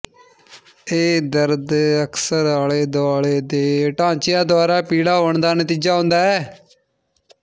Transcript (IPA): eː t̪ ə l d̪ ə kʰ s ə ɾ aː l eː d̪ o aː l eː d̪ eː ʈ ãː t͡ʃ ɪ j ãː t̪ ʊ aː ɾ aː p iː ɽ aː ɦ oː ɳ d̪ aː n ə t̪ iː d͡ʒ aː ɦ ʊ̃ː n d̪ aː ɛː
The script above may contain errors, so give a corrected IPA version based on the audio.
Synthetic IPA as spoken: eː d̪ ə ɾ d̪ ə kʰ s ə ɾ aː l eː d̪ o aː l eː d̪ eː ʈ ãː t͡ʃ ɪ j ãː d̪ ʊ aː ɾ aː p iː ɽ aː ɦ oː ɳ d̪ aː n ə t̪ iː d͡ʒ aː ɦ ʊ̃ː n d̪ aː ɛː